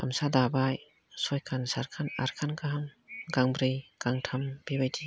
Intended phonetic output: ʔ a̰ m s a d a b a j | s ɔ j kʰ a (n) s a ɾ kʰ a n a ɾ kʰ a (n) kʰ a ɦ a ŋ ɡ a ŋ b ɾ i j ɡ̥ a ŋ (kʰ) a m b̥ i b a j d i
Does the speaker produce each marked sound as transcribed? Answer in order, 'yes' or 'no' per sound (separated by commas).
yes, yes, no